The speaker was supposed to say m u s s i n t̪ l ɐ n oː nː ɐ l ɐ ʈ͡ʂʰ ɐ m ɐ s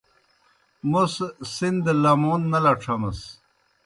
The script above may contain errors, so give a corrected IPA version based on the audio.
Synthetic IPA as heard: m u s s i n d̪ l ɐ m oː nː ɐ l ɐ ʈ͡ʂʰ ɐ m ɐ s